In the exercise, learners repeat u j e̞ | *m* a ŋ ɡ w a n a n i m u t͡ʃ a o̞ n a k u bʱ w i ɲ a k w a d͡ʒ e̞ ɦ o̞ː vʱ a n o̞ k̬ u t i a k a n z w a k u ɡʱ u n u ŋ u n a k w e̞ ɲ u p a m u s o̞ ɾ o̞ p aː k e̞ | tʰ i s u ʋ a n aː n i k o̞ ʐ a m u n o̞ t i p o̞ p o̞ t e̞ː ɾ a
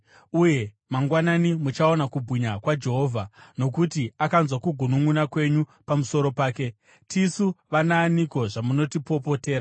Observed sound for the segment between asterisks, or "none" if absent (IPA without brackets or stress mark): m